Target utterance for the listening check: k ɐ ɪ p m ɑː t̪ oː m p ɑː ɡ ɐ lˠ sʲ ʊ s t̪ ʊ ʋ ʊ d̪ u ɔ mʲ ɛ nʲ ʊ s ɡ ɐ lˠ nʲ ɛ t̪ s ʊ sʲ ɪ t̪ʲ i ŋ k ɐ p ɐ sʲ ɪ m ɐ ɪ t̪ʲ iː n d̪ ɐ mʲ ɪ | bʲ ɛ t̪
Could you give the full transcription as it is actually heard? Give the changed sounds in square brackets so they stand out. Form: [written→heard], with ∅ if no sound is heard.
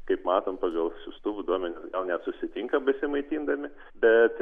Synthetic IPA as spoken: k ɐ ɪ p m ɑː t̪ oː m p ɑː ɡ ɐ lˠ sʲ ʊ s t̪ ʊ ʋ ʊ d̪ u ɔ mʲ ɛ nʲ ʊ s ɡ ɐ lˠ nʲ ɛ t̪ s ʊ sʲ ɪ t̪ʲ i ŋ k ɐ [p→b] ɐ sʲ ɪ m ɐ ɪ t̪ʲ iː n d̪ ɐ mʲ ɪ | bʲ ɛ t̪